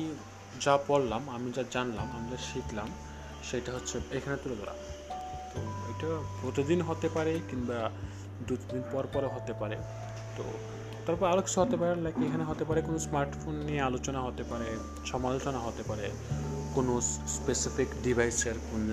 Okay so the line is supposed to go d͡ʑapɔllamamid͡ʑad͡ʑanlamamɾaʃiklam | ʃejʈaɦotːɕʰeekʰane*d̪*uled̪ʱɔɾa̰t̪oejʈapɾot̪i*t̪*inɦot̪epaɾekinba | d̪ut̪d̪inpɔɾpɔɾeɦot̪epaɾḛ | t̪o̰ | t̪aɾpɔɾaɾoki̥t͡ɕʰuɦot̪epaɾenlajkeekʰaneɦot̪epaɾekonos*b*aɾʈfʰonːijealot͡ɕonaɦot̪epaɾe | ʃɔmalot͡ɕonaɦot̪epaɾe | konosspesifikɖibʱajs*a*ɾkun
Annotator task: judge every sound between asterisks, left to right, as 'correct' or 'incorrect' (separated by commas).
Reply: incorrect, incorrect, incorrect, incorrect